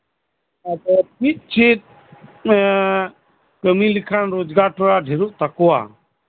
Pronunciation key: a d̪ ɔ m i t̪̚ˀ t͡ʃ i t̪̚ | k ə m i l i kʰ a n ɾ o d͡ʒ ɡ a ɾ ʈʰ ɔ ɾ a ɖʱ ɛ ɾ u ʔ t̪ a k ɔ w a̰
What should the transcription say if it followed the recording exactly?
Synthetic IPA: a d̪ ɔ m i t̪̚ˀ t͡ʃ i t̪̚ | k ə m i l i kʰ a n ɾ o d͡ʒ ɡ a ɾ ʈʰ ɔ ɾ a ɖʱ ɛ ɾ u ʔ t̪ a k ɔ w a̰

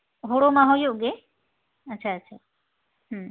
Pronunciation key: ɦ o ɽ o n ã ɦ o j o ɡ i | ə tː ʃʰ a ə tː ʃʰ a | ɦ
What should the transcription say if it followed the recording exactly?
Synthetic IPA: ɦ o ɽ o m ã ɦ o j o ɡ e | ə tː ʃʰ a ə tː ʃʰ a | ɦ

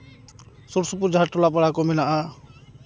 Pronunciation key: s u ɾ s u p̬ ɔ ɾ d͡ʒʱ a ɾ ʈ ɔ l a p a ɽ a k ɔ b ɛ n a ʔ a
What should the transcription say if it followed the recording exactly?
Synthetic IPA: s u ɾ s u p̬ u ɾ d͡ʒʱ a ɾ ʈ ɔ l a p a ɽ a k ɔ m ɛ n a ʔ a

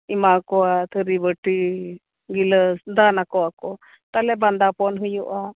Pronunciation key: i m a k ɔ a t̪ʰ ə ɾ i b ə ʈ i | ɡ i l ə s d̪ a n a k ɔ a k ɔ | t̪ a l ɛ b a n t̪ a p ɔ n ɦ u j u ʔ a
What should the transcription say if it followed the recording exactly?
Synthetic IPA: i m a k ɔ a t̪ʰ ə ɾ i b ə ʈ i | ɡ i l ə s d̪ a n a k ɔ a k ɔ | t̪ a l ɛ b a n d̪ a p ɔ n ɦ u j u ʔ a

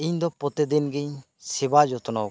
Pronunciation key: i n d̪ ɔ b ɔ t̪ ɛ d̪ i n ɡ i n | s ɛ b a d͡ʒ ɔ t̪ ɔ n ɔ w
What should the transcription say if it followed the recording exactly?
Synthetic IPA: i ɲ d̪ ɔ p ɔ t̪ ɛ d̪ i n ɡ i ɲ | s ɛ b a d͡ʒ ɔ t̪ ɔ n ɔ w

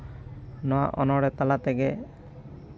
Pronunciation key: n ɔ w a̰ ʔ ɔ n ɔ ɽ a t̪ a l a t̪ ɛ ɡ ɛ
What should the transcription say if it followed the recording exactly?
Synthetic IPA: n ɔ w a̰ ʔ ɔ n ɔ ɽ ɛ t̪ a l a t̪ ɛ ɡ ɛ

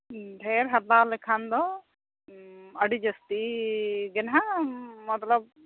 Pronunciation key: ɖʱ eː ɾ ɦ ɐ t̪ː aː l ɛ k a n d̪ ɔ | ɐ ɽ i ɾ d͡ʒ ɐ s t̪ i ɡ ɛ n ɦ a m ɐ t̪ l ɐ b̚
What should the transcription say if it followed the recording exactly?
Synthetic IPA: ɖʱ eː ɾ ɦ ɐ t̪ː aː l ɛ kʰ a n d̪ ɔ | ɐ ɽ i d͡ʒ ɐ s t̪ i ɡ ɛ n ɦ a m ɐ t̪ l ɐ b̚

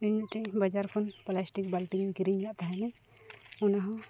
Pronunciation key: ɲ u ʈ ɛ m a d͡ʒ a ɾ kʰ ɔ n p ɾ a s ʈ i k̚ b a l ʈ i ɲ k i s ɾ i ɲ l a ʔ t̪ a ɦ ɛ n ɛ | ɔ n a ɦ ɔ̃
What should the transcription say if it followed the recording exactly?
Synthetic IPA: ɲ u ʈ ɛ b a d͡ʒ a ɾ kʰ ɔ n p l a s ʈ i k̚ b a l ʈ i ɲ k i ɾ i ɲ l a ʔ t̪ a ɦ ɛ n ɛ | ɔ n a ɦ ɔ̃

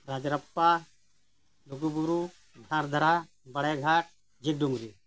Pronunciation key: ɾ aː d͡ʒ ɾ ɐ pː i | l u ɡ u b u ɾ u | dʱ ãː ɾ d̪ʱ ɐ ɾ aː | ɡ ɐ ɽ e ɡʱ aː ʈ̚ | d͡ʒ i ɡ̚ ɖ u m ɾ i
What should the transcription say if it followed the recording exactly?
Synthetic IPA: ɾ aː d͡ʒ ɾ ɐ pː a | l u ɡ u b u ɾ u | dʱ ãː ɾ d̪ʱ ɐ ɾ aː | b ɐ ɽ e ɡʱ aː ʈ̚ | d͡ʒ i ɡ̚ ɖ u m ɾ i

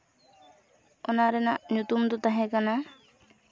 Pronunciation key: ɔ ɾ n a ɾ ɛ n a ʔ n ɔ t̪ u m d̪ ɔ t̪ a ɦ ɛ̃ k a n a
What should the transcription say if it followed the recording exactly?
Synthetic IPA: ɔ n a ɾ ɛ n a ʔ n u t̪ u m d̪ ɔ t̪ a ɦ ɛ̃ k a n a

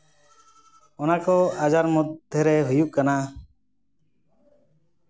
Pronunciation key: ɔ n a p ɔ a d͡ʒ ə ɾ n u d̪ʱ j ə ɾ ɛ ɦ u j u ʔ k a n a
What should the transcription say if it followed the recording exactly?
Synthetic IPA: ɔ n a k ɔ a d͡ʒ a ɾ m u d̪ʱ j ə ɾ ɛ ɦ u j u ʔ k a n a

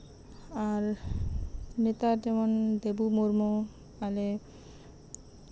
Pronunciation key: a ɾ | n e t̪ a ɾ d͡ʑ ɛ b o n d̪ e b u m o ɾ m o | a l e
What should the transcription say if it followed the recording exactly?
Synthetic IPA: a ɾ | n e t̪ a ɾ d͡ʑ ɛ m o n d̪ e b u m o ɾ m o | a l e

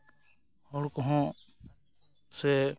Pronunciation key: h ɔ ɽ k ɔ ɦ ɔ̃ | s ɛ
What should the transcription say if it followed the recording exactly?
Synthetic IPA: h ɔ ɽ k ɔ ɦ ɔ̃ | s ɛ

